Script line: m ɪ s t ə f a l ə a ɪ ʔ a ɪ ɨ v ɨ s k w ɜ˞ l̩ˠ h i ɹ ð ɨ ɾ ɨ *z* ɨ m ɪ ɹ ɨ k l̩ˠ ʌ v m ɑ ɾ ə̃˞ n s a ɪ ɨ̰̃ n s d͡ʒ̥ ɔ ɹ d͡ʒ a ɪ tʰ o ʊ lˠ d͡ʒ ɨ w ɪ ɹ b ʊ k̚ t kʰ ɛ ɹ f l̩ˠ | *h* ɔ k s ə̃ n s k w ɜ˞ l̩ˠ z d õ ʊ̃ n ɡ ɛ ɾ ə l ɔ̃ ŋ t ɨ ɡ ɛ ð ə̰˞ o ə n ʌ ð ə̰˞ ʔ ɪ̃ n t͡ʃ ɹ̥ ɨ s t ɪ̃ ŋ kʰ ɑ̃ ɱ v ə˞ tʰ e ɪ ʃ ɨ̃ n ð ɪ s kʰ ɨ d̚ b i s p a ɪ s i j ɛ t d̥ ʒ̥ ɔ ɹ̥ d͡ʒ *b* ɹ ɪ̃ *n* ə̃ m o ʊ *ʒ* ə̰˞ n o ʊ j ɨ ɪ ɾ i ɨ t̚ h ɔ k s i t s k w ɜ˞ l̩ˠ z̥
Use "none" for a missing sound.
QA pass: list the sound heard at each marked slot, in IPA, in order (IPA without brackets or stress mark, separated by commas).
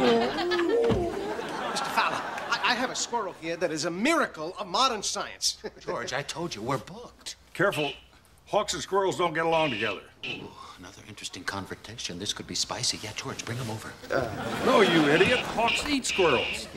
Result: z, h, b, ŋ, v